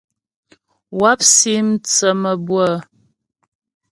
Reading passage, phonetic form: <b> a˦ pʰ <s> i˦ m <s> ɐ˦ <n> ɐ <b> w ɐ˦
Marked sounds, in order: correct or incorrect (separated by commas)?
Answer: incorrect, correct, incorrect, incorrect, correct